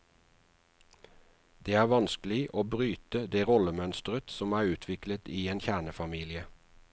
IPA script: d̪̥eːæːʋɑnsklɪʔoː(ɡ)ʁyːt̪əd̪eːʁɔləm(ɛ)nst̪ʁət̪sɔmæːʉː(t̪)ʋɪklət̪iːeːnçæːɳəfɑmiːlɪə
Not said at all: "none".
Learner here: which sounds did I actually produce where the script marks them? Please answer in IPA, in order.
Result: b, œ, t̪ʰ

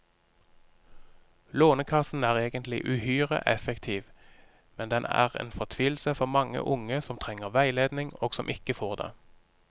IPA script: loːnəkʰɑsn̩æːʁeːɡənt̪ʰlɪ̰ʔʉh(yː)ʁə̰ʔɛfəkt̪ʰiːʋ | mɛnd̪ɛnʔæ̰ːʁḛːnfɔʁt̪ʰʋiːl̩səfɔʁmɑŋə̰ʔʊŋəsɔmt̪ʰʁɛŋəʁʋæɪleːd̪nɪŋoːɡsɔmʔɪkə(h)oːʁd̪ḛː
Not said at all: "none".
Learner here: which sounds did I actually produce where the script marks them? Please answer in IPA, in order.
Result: yː, f

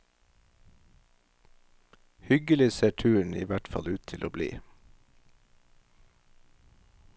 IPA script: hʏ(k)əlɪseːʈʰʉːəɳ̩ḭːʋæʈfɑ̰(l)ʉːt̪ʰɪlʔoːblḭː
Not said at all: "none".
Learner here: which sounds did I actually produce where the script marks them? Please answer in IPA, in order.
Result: ɡ, l

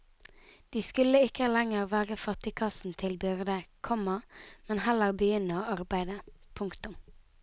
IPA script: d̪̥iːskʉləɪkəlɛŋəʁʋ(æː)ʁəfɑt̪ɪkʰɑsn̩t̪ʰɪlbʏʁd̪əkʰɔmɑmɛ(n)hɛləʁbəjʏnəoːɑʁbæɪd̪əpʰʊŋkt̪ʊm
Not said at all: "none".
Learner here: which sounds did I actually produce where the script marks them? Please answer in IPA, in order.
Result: æː, n

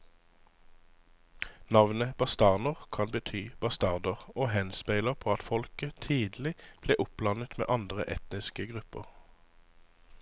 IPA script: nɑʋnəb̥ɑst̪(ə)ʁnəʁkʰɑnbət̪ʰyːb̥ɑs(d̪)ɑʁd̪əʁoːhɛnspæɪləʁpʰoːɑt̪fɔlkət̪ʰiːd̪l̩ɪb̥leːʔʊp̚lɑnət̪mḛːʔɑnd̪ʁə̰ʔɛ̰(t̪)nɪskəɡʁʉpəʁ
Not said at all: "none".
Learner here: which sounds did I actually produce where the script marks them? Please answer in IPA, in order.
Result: ɑ, t̪, t̪

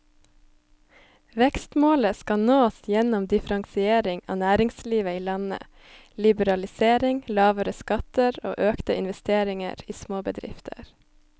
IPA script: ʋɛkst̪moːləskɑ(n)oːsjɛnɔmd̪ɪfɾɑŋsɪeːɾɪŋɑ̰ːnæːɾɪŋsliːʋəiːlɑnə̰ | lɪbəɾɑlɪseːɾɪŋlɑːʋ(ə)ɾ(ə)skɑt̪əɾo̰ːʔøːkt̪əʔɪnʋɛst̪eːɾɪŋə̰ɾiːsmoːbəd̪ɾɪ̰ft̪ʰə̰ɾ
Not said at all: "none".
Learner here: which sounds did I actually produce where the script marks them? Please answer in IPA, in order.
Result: n, ə, ə

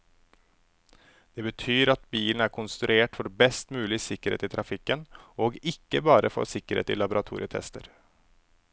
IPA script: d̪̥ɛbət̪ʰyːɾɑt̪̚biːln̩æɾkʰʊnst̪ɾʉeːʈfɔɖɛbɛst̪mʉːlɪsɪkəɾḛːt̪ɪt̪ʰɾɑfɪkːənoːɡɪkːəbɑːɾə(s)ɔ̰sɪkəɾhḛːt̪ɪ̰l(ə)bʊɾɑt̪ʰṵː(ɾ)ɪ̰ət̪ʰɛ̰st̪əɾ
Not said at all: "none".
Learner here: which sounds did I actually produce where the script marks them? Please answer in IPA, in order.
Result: f, ɑ, ɾ

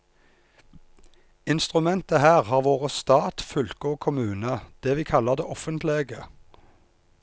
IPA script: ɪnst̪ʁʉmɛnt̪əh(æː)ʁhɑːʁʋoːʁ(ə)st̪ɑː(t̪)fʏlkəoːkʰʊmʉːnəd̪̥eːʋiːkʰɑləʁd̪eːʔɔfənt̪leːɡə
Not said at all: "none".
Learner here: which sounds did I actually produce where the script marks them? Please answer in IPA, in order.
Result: æː, ə, t̪

